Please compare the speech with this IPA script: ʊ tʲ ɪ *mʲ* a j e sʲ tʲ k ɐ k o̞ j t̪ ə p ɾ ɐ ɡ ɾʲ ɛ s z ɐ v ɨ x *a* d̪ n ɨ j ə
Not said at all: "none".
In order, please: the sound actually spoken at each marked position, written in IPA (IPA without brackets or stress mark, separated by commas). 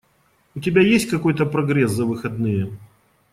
bʲ, ɐ